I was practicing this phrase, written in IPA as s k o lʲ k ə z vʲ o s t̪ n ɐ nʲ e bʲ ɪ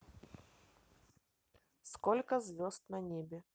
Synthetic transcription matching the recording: s k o lʲ k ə z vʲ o s t̪ n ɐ nʲ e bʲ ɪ